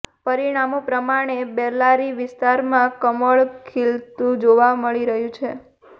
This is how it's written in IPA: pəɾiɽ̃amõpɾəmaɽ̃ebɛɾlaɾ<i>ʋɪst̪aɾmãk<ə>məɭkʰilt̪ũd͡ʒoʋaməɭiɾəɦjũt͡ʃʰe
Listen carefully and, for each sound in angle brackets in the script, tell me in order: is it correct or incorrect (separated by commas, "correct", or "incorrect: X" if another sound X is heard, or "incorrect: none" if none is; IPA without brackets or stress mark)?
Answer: correct, correct